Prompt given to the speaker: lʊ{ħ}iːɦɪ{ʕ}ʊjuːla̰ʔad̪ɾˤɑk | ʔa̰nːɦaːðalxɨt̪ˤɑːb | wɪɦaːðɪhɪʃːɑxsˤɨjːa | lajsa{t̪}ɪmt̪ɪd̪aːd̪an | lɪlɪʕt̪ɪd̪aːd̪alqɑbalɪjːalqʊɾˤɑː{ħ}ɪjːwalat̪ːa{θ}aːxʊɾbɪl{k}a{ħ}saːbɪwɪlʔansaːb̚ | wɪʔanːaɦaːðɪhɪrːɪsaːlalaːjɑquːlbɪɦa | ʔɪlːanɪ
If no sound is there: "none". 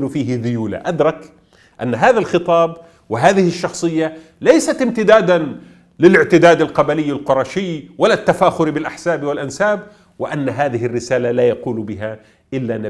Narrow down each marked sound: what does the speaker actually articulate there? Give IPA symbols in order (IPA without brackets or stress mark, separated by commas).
f, ð, t̪, ʃ, f, ʔ, ħ